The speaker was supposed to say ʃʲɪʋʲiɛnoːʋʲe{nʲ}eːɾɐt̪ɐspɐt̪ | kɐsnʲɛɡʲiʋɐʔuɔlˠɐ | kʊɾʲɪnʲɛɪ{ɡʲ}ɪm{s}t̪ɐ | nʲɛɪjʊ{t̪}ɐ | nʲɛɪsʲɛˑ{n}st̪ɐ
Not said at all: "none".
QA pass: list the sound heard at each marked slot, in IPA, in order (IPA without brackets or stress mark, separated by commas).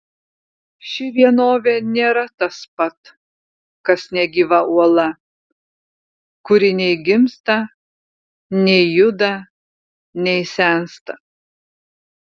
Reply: nʲ, ɡʲ, s, d̪, n